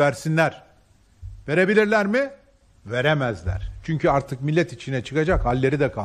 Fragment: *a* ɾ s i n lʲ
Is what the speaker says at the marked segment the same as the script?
no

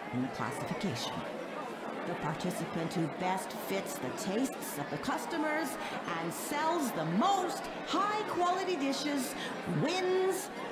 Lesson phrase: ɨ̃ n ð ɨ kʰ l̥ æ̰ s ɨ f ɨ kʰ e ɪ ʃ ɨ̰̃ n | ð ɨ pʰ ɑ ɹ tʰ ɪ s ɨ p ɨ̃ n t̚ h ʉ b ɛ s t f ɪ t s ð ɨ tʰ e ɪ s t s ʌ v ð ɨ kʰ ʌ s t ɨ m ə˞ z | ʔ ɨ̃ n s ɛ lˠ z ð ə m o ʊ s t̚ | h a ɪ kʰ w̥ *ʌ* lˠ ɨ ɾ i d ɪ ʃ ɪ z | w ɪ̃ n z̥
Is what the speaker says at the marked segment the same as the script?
no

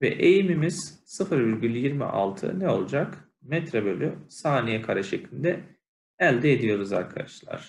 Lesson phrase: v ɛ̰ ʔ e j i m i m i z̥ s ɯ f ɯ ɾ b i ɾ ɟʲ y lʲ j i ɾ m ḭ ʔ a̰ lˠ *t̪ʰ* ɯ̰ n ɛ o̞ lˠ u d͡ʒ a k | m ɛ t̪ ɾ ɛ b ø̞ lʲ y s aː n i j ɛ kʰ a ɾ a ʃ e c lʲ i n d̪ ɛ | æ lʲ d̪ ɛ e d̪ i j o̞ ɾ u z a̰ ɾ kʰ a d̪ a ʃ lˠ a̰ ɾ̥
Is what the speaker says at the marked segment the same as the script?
yes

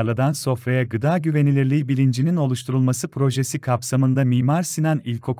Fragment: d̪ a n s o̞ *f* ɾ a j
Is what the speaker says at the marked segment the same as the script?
yes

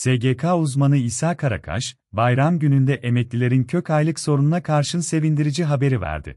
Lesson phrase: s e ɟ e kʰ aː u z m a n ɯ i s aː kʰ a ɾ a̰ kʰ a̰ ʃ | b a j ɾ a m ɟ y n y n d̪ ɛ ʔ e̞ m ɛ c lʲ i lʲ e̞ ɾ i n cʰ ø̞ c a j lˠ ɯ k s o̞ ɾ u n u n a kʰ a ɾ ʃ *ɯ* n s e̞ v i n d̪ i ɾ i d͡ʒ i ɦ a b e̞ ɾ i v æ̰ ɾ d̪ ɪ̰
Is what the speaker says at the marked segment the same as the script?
yes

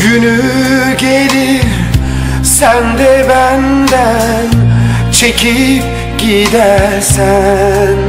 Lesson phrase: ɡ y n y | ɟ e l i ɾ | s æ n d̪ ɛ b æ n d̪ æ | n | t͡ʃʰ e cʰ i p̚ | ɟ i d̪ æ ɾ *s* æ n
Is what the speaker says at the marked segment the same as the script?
yes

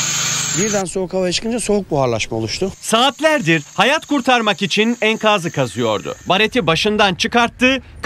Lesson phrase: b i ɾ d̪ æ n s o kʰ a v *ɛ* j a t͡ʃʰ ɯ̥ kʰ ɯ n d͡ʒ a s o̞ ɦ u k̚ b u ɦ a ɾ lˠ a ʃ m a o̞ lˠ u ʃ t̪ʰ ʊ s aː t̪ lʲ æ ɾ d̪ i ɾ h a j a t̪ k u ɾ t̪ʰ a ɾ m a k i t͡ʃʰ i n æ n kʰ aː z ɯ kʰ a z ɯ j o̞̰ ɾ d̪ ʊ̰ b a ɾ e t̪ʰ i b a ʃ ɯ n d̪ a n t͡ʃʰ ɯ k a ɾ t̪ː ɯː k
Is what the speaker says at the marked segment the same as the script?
no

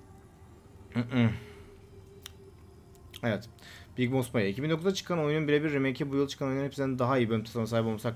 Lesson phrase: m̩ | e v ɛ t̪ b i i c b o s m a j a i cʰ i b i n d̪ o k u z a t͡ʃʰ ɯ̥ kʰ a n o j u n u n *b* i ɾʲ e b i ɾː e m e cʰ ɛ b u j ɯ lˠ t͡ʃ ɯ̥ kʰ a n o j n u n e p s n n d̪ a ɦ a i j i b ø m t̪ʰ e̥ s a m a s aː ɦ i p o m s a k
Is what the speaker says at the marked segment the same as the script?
yes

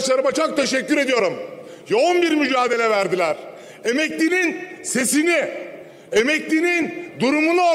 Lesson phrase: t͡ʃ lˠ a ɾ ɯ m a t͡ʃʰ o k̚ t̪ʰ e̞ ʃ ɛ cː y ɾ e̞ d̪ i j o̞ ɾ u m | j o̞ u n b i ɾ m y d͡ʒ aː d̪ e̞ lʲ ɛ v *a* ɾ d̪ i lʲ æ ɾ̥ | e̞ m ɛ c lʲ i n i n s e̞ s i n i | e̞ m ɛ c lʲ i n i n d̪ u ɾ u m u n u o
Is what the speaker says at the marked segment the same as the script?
no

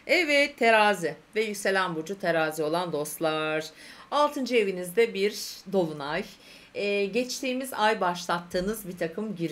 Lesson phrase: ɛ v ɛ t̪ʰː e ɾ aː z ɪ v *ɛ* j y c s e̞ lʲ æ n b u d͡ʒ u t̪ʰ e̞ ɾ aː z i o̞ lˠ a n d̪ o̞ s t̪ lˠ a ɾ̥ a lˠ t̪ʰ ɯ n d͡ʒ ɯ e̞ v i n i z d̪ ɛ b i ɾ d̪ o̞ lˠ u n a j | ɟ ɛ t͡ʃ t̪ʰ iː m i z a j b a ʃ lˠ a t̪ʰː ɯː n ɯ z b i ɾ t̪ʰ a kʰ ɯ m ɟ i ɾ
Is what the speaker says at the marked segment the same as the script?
yes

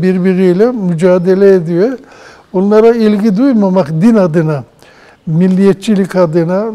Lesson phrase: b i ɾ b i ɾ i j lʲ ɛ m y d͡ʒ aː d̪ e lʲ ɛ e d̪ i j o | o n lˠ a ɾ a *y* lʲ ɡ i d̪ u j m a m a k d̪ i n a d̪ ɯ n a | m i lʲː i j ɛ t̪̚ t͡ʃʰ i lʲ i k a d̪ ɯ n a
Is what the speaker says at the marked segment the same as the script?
no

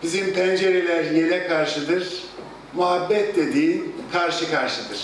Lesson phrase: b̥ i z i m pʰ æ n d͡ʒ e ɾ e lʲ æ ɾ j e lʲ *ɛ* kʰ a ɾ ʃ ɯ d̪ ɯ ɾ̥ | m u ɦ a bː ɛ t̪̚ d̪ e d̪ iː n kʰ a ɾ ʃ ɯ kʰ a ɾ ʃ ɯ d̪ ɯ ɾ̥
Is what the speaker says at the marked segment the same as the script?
yes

